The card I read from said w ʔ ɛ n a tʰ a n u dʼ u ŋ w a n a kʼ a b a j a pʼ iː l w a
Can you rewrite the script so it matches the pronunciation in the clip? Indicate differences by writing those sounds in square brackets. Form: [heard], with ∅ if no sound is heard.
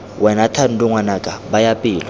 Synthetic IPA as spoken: w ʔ ɛ n a tʰ a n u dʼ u ŋ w a n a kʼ a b a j a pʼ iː l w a